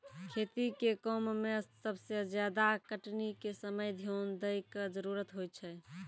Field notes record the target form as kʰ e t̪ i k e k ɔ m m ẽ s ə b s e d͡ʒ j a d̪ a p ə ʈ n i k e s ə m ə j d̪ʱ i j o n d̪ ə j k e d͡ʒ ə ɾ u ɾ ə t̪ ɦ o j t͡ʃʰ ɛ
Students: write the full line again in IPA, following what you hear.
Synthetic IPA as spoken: kʰ e t̪ i k e k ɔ m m e s ə b s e d͡ʒ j a d̪ a k ə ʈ n i k e s ə m ə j d̪ʱ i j o n d̪ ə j k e d͡ʒ ə ɾ u ɾ ə t̪ ɦ o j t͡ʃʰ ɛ